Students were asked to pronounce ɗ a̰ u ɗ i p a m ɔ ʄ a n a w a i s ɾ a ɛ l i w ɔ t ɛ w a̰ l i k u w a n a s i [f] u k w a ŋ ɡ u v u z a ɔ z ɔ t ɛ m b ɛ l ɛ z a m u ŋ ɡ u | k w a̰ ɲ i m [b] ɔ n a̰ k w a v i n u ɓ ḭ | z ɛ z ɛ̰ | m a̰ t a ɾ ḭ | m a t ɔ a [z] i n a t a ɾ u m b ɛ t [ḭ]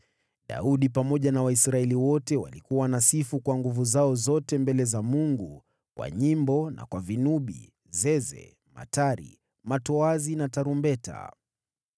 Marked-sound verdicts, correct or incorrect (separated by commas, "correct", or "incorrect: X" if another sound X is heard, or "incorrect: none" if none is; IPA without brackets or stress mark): correct, correct, correct, incorrect: a̰